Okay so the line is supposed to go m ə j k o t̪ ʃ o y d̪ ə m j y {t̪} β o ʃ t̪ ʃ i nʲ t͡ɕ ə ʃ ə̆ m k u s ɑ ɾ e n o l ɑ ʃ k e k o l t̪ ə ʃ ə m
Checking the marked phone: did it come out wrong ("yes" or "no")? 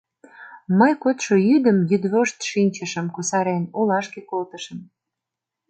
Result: yes